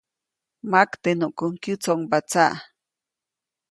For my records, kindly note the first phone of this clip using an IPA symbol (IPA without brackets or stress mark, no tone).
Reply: m